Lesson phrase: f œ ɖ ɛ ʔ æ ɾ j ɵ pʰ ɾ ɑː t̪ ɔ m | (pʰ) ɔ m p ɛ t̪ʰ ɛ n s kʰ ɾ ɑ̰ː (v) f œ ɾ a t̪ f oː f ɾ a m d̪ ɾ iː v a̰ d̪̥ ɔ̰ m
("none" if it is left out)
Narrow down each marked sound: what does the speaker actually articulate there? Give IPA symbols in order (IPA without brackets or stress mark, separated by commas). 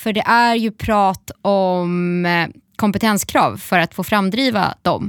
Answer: kʰ, v